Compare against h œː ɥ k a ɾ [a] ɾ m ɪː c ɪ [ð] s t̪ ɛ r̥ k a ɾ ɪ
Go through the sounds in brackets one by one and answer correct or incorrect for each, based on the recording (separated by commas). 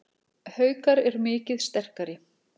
incorrect, correct